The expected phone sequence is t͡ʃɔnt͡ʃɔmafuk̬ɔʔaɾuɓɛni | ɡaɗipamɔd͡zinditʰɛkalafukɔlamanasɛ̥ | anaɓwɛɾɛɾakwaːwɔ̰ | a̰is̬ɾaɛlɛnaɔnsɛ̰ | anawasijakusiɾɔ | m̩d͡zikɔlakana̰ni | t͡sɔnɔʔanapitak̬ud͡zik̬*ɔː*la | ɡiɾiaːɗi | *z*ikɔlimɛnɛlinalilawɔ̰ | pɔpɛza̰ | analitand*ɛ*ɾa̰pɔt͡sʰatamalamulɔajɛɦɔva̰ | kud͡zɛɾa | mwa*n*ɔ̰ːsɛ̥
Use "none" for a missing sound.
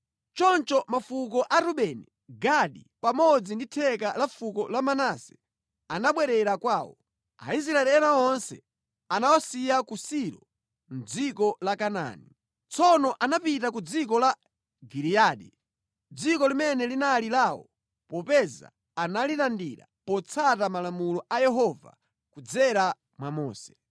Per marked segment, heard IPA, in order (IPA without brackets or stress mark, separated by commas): ɔ, d͡z, i, m